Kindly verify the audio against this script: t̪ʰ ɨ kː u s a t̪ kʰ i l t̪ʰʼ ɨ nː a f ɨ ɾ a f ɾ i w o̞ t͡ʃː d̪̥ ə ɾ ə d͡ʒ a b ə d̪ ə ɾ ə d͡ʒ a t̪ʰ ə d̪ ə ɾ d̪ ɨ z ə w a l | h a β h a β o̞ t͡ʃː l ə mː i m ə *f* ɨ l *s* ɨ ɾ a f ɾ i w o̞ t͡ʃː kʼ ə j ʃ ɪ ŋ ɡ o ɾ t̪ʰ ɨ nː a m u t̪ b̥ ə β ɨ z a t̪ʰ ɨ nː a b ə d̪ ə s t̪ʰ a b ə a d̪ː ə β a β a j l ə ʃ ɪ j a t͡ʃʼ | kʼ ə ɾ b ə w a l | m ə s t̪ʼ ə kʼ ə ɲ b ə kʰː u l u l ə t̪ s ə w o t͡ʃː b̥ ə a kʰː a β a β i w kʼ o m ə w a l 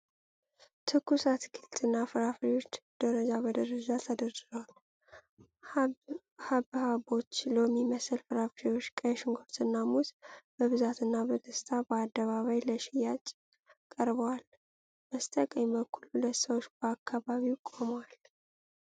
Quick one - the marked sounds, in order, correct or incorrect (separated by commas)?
incorrect, incorrect